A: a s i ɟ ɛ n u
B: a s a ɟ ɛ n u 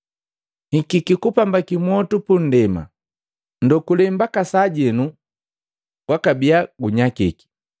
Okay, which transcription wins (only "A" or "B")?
B